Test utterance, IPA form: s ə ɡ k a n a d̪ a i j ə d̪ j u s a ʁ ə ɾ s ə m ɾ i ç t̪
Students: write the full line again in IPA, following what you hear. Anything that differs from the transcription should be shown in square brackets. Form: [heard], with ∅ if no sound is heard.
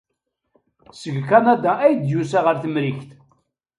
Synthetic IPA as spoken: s ə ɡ k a n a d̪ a [æ] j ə d̪ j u s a ʁ ə ɾ [θ] ə m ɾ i ç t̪